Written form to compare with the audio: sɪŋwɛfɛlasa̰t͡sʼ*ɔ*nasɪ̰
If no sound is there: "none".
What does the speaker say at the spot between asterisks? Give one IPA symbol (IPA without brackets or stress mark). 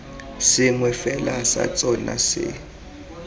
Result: ɔ